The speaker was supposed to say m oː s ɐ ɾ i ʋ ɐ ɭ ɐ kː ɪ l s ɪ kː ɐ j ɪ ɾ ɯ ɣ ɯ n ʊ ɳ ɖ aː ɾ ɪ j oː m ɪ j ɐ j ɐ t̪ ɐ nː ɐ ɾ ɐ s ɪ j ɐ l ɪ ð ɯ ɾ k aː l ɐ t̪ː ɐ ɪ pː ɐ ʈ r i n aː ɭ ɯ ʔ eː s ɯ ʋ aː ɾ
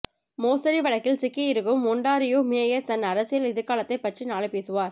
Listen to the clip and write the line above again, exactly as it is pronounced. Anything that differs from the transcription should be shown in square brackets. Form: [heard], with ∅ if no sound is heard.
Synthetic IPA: m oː s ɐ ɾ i ʋ ɐ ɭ ɐ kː ɪ l s ɪ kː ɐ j ɪ ɾ ɯ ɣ ɯ [m] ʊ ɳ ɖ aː ɾ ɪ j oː m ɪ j ɐ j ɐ t̪ ɐ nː ɐ ɾ ɐ s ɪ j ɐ l ɪ ð ɯ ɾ k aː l ɐ t̪ː ɐ ɪ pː ɐ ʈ r i n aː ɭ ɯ [p] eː s ɯ ʋ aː ɾ